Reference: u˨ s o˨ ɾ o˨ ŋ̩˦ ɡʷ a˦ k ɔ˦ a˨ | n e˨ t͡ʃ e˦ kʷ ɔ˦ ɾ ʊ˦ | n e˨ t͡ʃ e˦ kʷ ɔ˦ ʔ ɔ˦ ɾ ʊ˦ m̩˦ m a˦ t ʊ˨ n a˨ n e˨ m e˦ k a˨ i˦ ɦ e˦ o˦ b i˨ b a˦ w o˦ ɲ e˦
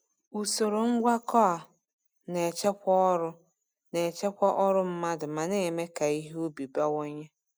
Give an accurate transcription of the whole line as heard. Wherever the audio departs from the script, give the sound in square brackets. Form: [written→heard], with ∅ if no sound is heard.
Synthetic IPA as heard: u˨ s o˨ ɾ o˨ ŋ̩˦ ɡʷ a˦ k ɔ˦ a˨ | n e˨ t͡ʃ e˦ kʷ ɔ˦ ɾ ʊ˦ | n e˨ t͡ʃ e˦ kʷ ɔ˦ ʔ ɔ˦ ɾ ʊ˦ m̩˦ m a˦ [t→d] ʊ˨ [n→m] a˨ n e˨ m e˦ k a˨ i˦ ɦ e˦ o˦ b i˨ b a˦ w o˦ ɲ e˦